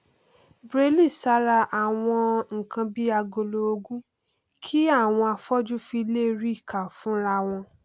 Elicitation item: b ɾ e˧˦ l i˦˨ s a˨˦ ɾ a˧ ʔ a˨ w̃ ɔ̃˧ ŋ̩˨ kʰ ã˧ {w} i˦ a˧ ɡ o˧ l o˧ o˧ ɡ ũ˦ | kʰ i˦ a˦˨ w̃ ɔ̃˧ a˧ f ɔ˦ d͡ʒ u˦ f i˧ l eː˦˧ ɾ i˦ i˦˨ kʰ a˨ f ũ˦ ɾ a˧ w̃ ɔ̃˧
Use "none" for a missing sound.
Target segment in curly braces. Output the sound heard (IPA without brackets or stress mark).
b